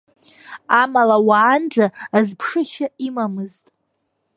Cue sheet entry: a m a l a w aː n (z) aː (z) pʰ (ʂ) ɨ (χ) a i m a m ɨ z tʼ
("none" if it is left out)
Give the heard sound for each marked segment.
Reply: d͡z, z, ʂ, ʃ

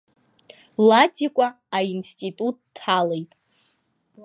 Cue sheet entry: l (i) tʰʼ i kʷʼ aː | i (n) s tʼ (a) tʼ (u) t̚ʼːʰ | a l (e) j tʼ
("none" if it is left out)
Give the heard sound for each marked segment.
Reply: a, n, i, u, e

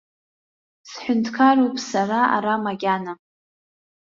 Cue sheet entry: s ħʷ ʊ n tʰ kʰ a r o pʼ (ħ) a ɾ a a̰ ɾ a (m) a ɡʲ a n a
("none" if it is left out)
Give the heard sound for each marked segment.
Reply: s, m

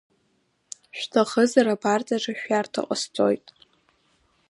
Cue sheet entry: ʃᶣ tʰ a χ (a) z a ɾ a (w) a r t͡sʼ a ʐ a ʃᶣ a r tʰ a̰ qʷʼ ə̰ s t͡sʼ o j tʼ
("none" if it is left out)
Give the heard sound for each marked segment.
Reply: ə, b

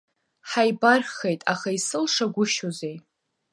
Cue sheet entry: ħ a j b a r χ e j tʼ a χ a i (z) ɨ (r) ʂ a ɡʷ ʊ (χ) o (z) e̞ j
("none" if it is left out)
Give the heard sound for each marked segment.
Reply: s, l, ʃ, z

